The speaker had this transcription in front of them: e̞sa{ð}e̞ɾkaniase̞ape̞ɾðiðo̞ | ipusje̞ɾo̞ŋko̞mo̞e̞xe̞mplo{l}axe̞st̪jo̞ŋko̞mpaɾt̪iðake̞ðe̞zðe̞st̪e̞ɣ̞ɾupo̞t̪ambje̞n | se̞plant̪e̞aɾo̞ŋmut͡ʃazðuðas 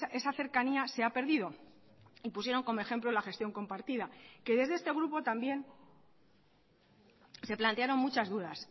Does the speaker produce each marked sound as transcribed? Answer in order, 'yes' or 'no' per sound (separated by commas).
no, yes